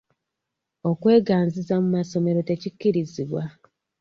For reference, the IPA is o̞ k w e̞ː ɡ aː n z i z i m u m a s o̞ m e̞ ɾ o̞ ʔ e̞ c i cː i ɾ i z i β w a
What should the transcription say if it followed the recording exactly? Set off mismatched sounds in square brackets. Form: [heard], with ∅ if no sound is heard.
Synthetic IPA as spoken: o̞ k w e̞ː ɡ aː n z i z [a] m u m a s o̞ m e̞ ɾ o̞ [t] e̞ c i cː i ɾ i z i β w a